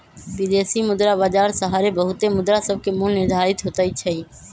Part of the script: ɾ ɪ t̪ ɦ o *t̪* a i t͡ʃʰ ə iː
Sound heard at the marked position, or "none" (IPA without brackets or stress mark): t̪